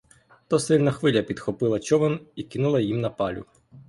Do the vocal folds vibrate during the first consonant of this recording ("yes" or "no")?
no